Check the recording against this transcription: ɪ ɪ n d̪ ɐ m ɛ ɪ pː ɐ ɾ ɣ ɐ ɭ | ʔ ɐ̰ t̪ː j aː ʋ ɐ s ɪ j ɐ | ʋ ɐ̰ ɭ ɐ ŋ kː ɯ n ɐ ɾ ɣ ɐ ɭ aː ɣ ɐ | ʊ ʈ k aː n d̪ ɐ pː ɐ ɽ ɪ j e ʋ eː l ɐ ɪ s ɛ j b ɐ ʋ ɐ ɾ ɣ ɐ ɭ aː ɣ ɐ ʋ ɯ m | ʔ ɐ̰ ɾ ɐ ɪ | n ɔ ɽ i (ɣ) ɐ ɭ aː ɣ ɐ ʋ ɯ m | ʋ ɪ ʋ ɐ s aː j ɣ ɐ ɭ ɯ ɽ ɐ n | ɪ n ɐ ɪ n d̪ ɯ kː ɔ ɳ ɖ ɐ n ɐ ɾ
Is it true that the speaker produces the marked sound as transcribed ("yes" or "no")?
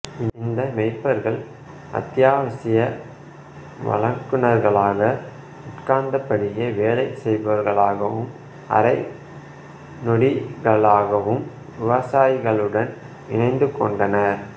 yes